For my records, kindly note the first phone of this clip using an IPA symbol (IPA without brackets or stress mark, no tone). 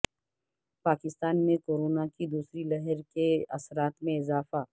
p